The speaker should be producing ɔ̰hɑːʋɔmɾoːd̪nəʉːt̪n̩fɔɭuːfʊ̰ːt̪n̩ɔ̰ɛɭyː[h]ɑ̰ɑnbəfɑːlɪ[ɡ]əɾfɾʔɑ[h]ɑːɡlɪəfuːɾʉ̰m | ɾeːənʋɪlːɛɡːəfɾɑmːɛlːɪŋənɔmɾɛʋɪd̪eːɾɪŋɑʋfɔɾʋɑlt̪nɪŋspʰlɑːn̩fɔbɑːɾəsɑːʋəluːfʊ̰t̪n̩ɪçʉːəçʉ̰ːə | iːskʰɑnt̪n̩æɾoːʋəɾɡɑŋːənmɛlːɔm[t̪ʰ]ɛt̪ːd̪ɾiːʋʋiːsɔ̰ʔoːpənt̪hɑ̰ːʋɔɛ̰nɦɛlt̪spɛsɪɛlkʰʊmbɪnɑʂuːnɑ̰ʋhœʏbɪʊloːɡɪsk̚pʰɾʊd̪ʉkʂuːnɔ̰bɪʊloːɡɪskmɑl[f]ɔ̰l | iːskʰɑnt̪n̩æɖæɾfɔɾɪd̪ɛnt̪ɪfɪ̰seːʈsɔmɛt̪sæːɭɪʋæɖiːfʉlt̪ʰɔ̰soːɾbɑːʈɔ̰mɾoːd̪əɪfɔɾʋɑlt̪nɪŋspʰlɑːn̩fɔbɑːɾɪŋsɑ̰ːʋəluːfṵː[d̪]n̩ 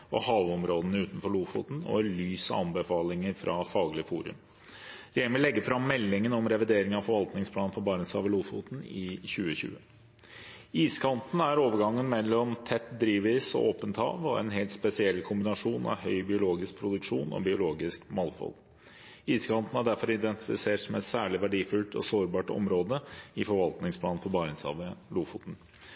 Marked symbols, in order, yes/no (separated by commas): no, no, no, yes, yes, no